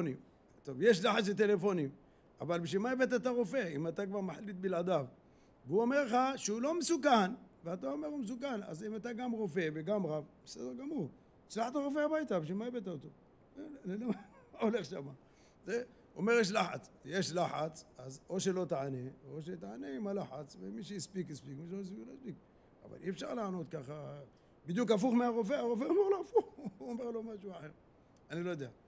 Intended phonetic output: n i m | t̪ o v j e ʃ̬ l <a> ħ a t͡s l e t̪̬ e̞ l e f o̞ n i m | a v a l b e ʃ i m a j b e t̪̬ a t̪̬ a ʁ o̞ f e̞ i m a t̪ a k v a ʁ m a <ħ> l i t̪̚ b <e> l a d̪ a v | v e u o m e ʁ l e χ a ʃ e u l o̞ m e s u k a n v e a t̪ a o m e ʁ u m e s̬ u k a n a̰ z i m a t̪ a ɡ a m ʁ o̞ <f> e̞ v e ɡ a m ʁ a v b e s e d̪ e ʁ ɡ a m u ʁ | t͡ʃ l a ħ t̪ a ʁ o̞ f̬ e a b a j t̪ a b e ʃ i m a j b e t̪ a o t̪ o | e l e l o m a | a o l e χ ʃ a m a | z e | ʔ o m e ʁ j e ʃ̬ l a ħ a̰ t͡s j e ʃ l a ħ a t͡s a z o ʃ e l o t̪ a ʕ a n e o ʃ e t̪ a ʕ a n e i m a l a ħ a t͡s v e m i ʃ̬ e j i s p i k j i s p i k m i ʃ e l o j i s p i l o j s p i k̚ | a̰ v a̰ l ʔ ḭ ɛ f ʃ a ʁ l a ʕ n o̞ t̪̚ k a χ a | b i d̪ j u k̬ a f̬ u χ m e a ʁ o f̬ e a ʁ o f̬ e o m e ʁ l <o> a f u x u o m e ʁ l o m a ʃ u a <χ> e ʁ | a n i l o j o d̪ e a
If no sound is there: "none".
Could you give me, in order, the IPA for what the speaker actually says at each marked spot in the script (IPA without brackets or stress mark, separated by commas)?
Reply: a, ħ, i, f, o, ħ